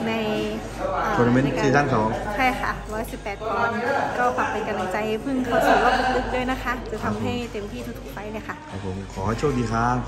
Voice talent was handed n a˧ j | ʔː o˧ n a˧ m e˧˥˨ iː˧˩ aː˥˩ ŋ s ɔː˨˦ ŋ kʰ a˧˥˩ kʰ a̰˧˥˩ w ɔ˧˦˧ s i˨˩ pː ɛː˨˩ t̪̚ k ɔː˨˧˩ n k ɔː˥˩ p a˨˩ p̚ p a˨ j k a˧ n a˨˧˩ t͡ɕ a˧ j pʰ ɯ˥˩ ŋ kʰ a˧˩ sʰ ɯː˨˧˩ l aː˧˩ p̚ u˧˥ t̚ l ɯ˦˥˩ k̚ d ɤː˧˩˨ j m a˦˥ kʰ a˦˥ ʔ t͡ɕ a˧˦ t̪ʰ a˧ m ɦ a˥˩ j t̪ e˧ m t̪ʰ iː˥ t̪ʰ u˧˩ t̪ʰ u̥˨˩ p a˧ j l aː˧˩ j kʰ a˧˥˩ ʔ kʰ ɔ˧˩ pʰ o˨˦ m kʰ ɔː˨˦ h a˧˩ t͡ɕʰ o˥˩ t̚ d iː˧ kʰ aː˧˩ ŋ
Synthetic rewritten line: n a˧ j | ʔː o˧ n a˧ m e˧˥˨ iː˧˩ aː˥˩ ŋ s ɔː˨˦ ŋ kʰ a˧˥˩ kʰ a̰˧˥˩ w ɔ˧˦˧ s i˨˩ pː ɛː˨˩ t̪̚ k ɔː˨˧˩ n k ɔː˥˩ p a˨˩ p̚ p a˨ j k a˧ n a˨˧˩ t͡ɕ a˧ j pʰ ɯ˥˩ ŋ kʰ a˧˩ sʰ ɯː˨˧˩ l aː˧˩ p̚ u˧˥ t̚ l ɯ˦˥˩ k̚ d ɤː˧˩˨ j n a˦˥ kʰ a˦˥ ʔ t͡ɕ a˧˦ t̪ʰ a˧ m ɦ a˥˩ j t̪ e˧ m t̪ʰ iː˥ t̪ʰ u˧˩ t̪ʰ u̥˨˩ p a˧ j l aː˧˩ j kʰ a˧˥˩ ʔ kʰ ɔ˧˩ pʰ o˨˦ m kʰ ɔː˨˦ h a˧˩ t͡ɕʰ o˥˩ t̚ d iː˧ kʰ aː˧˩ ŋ

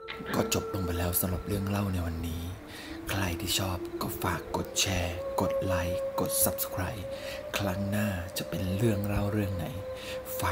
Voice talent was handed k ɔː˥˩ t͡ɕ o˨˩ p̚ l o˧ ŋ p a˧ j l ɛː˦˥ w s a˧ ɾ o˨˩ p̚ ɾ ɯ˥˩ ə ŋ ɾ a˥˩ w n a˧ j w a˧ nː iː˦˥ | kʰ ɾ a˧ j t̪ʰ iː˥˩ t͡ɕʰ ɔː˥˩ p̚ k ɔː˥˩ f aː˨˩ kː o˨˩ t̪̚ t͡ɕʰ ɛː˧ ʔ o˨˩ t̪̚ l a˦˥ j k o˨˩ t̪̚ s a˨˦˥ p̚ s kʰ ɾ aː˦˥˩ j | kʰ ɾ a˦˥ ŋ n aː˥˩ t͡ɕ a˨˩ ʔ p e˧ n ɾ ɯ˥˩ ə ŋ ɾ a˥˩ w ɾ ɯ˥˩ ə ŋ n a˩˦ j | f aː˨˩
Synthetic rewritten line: k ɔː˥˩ t͡ɕ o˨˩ p̚ l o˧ ŋ p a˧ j l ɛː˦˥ w s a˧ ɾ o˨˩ p̚ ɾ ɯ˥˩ ə ŋ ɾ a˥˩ w n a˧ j w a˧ nː iː˦˥ | kʰ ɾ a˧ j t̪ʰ iː˥˩ t͡ɕʰ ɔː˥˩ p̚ k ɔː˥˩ f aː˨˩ kː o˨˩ t̪̚ t͡ɕʰ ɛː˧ k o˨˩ t̪̚ l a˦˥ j k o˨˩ t̪̚ s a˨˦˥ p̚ s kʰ ɾ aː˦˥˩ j | kʰ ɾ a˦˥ ŋ n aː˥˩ t͡ɕ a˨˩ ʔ p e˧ n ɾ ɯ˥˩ ə ŋ ɾ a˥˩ w ɾ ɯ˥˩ ə ŋ n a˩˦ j | f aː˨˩

